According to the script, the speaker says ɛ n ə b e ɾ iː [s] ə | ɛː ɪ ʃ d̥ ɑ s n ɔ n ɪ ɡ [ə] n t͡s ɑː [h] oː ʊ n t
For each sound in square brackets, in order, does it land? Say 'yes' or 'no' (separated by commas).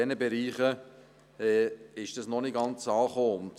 no, no, no